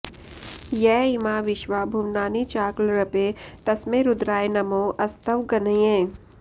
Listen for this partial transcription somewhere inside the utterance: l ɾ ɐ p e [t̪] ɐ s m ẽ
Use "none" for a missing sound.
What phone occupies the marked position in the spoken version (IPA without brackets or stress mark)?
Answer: t̪